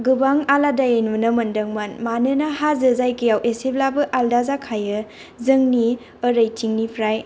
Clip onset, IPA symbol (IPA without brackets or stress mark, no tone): ɡ